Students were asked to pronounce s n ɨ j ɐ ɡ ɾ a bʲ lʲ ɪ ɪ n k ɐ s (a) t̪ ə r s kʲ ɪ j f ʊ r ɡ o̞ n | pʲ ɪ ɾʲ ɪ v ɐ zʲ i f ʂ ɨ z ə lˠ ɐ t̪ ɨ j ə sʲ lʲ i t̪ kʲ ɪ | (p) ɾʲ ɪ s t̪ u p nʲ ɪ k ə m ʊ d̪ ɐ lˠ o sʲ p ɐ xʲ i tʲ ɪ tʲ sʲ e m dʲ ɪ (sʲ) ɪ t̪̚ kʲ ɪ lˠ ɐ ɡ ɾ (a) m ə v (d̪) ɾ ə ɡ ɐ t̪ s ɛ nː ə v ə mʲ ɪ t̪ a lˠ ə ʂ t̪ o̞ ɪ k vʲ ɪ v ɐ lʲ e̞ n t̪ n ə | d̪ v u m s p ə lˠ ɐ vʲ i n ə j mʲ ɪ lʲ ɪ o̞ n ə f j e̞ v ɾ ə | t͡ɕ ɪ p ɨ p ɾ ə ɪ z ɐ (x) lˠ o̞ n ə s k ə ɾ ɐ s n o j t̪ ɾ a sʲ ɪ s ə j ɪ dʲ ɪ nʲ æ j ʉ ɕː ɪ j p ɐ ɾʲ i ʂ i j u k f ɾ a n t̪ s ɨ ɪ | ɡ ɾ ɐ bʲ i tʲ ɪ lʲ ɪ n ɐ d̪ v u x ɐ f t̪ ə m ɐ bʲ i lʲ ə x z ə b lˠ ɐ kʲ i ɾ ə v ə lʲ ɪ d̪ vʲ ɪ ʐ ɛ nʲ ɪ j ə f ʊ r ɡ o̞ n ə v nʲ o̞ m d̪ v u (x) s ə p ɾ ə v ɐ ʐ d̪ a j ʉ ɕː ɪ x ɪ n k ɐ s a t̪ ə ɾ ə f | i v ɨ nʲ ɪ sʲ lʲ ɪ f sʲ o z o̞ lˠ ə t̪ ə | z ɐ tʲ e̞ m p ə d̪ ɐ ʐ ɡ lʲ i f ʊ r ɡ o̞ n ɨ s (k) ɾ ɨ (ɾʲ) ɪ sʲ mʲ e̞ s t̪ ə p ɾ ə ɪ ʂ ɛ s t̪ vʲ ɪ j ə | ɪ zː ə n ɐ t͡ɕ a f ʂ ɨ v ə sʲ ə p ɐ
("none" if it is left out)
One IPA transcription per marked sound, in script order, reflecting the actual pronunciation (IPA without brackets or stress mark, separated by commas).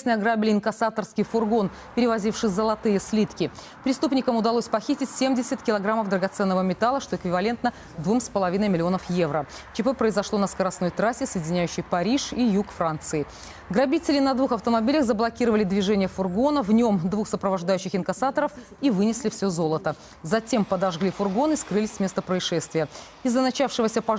a, p, sʲ, a, d̪, ʂ, x, k, lʲ